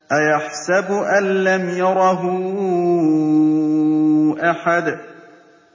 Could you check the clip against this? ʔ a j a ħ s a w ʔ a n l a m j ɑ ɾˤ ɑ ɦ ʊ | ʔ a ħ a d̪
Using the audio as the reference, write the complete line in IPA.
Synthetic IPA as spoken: ʔ a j a ħ s a b ʔ a n l a m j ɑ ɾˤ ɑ ɦ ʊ | ʔ a ħ a d̪

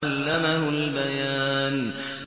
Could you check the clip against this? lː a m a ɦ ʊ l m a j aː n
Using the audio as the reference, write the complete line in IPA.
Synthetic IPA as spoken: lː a m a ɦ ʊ l b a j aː n

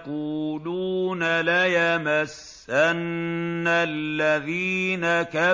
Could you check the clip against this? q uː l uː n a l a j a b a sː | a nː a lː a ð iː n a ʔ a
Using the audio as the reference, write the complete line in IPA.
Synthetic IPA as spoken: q uː l uː n a l a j a m a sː | a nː a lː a ð iː n a k a

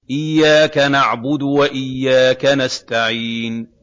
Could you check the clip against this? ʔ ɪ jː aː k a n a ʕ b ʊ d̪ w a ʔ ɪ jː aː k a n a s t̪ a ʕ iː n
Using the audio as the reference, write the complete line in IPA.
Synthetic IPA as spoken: ʔ ɪ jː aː k a n a ʕ b ʊ d̪ w a ʔ ɪ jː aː k a n a s t̪ a ʕ iː n

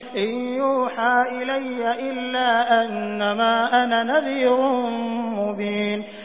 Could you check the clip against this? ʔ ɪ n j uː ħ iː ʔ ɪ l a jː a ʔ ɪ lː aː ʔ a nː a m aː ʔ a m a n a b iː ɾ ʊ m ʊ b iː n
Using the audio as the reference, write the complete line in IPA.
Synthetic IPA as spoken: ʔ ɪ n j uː ħ aː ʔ ɪ l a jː a ʔ ɪ lː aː ʔ a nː a m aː ʔ a n a n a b iː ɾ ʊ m ʊ b iː n

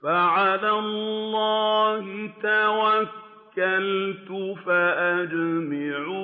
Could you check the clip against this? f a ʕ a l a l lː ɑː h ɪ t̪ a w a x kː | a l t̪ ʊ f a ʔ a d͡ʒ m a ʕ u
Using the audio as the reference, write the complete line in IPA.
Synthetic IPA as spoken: f a ʕ a l a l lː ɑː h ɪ t̪ a w a k kː | a l t̪ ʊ f a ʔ a d͡ʒ m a ʕ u

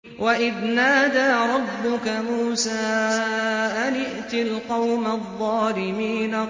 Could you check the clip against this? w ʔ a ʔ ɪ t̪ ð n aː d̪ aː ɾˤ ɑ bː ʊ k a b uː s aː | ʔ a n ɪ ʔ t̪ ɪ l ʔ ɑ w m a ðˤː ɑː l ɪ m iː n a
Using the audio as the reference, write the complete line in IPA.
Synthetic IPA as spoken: w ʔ a ʔ ɪ ð n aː d̪ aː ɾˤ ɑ bː ʊ k a m uː s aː | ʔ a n ɪ ʔ t̪ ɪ l q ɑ w m a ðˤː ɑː l ɪ m iː n a

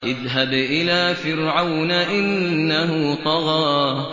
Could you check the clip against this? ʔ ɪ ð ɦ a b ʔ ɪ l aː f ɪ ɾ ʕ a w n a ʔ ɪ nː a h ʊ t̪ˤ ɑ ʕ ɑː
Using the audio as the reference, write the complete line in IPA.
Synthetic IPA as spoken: ʔ ɪ ð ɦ a b ʔ ɪ l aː f ɪ ɾ ʕ a w n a ʔ ɪ nː a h ʊ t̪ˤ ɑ ɣ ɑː

